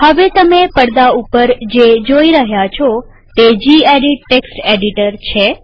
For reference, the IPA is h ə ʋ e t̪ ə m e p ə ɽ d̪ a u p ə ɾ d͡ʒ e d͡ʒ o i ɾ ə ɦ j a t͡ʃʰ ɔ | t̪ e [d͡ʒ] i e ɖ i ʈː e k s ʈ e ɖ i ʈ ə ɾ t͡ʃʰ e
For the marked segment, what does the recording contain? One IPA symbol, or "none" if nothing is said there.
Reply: d͡ʒ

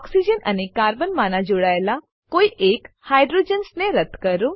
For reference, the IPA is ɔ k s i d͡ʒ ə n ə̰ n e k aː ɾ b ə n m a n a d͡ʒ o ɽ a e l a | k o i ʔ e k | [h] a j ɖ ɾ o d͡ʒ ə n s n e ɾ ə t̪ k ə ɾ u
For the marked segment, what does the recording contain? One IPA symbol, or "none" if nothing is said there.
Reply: h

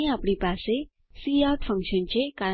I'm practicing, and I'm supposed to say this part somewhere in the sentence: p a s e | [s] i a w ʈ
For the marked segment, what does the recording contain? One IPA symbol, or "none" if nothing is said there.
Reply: s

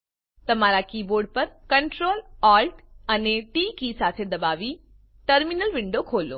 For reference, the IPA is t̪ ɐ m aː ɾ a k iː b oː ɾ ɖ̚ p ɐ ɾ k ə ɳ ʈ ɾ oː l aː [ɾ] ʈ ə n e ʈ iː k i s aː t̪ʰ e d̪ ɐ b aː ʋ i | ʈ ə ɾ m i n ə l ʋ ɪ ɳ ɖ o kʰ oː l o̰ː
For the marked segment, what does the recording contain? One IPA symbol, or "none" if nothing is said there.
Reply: l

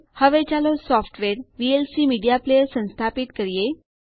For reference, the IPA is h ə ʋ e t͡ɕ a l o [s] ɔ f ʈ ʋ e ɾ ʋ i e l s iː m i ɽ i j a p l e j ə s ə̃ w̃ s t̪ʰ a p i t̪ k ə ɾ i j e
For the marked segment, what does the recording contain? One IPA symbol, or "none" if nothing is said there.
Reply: s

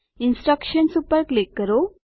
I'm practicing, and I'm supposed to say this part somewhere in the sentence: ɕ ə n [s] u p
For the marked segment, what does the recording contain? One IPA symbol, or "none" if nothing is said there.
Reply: s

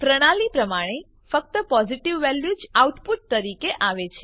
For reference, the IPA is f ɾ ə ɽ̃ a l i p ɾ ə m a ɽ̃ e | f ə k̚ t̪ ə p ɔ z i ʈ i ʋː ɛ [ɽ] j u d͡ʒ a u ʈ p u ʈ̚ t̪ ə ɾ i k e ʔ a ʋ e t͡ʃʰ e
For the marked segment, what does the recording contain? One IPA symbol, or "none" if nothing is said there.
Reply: l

